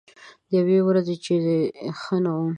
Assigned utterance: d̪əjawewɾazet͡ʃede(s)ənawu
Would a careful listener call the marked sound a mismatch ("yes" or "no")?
yes